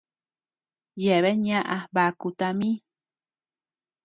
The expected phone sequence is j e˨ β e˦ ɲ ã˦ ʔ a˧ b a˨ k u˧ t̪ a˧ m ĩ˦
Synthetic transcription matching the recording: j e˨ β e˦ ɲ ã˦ ʔ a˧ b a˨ k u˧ t̪ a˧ m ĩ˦